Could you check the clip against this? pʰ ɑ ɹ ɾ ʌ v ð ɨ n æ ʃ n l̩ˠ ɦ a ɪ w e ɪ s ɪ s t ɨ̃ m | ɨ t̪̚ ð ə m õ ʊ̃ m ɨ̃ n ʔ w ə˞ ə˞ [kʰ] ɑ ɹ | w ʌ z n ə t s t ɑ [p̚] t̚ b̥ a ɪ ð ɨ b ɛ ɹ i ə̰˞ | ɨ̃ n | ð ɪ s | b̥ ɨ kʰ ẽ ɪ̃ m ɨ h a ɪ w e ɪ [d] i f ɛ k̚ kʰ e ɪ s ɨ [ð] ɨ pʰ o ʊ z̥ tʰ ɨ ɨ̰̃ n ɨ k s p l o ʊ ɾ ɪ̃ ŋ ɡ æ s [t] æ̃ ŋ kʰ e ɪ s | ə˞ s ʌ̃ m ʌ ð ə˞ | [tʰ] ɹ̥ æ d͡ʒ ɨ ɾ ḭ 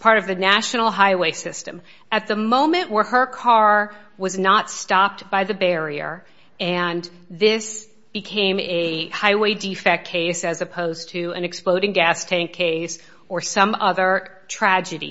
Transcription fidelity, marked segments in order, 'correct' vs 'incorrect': correct, correct, correct, incorrect: z, incorrect: tʰ, correct

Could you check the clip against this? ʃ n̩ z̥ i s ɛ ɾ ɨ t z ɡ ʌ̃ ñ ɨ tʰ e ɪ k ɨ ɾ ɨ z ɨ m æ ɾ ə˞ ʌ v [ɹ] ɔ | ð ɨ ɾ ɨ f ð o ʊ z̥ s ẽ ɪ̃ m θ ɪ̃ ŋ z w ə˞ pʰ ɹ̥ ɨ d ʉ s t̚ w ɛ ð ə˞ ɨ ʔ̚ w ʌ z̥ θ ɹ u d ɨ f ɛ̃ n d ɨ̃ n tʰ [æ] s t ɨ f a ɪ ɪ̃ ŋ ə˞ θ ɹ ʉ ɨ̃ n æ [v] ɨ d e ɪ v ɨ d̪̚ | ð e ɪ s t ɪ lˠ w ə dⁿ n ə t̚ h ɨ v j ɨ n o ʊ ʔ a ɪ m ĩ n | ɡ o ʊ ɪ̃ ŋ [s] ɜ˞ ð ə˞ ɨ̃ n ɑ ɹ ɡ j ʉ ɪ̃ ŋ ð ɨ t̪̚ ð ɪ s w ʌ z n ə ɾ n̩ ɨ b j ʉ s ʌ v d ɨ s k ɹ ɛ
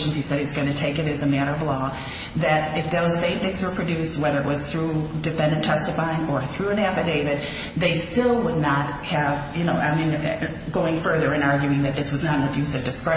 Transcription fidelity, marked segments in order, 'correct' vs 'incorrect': incorrect: l, incorrect: ɛ, incorrect: f, incorrect: f

